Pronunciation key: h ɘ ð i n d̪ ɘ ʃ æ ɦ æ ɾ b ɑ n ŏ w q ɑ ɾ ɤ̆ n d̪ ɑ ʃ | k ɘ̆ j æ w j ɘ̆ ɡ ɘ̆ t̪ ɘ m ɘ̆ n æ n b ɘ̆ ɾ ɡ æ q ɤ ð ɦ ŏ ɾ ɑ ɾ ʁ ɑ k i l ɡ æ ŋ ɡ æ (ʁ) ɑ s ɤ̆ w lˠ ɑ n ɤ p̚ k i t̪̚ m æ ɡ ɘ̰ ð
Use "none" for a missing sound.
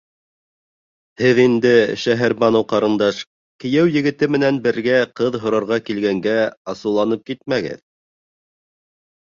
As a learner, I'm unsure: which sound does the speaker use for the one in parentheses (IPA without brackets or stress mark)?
none